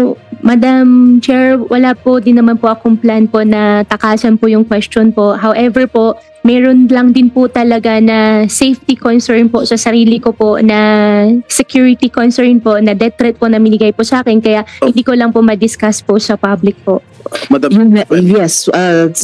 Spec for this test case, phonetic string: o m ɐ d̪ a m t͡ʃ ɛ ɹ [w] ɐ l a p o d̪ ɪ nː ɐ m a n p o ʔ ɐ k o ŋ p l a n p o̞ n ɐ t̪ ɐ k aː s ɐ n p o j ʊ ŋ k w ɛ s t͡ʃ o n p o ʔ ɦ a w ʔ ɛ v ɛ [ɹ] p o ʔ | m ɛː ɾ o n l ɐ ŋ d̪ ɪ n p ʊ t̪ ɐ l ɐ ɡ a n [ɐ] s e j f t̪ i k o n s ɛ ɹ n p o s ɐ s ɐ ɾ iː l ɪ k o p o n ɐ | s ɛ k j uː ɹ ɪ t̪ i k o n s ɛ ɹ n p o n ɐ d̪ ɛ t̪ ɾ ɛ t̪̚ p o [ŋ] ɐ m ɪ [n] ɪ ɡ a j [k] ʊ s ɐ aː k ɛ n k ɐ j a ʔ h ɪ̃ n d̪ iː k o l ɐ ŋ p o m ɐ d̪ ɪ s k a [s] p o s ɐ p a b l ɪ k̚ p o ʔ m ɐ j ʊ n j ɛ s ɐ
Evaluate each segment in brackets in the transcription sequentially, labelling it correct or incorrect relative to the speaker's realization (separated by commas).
correct, correct, correct, incorrect, correct, incorrect, correct